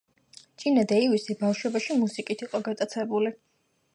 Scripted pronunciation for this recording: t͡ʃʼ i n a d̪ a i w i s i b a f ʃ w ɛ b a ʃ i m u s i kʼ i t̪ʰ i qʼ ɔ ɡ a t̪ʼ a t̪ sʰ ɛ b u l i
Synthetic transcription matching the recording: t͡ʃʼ i n a d̪ a i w i s i b a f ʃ w ɛ b a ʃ i m u s i kʼ i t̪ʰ i qʼ ɔ ɡ a t̪ʼ a t̪ sʰ ɛ b u l i